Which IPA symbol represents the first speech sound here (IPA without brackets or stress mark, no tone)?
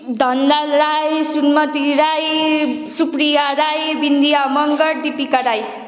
d̪ʱ